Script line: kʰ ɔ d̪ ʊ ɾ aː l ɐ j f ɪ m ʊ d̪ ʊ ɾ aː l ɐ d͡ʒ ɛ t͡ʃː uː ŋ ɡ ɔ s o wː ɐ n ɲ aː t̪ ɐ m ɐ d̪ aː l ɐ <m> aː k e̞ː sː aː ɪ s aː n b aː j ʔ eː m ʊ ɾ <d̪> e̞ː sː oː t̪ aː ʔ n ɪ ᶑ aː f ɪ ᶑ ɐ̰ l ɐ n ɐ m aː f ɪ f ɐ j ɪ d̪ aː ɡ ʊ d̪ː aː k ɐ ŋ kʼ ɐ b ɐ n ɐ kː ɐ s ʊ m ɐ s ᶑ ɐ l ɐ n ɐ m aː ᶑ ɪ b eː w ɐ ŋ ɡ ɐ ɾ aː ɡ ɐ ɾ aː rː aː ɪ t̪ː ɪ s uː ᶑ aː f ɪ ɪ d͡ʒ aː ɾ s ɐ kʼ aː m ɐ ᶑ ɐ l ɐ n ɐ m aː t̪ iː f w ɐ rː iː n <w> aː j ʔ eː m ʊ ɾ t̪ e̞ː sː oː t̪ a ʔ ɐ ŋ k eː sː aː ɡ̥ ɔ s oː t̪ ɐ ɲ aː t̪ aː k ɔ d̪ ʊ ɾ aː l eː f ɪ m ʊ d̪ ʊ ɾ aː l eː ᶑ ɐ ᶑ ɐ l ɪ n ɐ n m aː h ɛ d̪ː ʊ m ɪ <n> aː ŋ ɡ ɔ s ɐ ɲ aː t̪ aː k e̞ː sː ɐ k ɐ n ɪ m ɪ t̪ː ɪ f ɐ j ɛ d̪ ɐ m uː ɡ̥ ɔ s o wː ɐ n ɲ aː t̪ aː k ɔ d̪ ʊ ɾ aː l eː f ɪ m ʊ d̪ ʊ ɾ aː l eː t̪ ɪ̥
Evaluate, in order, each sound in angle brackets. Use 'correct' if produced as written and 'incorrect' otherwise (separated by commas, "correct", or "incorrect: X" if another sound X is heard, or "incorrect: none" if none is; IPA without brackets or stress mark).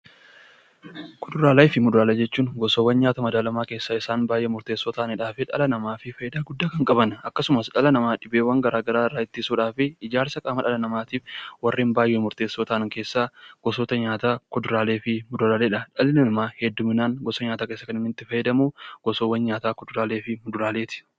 correct, incorrect: t̪, incorrect: b, correct